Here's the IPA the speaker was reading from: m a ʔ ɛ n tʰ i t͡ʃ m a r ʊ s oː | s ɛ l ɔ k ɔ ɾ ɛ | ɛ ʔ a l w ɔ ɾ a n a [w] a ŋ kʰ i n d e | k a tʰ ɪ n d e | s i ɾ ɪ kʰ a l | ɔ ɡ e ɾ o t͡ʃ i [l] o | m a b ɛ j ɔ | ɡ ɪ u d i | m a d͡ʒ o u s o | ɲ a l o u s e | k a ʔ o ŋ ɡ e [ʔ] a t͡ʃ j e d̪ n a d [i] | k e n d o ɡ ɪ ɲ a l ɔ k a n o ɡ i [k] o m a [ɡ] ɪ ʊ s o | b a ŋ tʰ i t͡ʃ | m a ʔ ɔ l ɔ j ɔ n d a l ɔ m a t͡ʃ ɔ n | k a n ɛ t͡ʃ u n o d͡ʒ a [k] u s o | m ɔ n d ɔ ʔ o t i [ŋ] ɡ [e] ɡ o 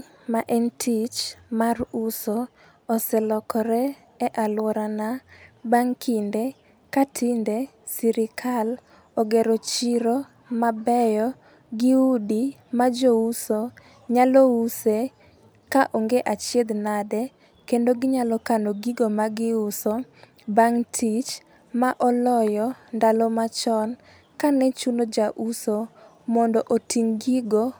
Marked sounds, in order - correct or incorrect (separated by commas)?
incorrect, incorrect, correct, incorrect, incorrect, correct, incorrect, correct, incorrect